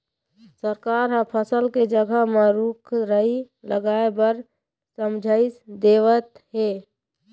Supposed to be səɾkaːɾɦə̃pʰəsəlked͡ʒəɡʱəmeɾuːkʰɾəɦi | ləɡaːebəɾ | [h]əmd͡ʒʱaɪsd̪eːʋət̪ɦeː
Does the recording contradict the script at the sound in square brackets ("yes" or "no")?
yes